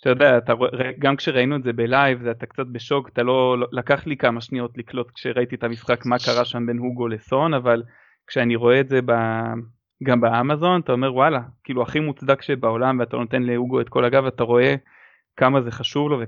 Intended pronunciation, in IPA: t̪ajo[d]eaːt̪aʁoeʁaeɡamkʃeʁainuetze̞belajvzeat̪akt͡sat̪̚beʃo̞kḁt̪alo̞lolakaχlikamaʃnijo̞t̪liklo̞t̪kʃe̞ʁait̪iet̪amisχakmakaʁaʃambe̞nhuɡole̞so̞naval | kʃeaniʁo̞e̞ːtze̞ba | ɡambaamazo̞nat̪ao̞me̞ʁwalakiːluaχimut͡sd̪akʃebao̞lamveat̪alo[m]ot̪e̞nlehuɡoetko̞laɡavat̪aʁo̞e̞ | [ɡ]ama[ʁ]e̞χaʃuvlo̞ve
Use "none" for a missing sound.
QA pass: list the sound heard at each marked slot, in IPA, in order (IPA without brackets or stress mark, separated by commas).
d, n, k, z